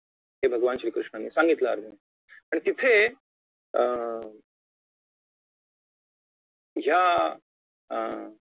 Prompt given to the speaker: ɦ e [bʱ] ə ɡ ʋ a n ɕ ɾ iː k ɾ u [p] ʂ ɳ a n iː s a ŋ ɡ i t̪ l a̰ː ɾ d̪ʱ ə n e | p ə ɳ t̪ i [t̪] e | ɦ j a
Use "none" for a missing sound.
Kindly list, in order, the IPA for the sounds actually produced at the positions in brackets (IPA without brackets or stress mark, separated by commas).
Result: bʱ, none, t̪ʰ